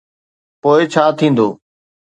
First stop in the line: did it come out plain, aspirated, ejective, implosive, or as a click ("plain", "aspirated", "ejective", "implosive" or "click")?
plain